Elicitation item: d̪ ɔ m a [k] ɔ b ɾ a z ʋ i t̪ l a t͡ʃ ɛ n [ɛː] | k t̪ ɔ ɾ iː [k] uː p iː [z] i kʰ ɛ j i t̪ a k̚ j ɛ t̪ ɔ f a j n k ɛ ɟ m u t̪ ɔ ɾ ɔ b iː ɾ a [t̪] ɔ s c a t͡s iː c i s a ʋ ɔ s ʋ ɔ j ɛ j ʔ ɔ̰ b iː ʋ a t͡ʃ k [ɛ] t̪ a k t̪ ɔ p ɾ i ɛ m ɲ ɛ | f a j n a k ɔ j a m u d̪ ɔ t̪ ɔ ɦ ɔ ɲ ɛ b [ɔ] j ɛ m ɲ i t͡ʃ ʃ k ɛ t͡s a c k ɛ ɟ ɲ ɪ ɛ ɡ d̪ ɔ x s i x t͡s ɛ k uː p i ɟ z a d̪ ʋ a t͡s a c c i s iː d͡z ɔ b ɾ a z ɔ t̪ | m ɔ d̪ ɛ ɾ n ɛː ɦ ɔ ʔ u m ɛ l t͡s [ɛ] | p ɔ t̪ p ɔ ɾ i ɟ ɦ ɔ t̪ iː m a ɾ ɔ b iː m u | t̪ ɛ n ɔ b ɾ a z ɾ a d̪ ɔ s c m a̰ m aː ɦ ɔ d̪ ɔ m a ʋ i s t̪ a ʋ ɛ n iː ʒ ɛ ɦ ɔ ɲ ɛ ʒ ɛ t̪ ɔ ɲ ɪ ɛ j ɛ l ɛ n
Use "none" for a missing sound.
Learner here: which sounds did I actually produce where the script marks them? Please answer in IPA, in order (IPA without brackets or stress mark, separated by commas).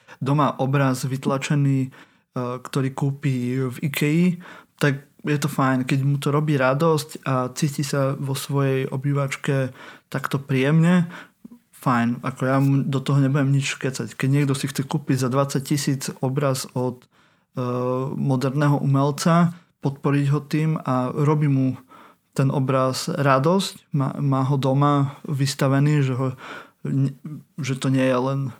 ʔ, iː, k, v, d̪, ɛ, u, a